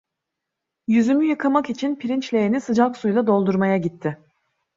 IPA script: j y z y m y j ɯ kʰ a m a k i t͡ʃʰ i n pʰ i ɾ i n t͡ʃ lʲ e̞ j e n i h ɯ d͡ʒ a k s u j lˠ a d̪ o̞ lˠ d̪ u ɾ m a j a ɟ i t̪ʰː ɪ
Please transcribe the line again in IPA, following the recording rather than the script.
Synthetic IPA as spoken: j y z y m y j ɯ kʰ a m a k i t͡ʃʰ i n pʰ i ɾ i n t͡ʃ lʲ e̞ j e n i s ɯ d͡ʒ a k s u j lˠ a d̪ o̞ lˠ d̪ u ɾ m a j a ɟ i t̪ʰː ɪ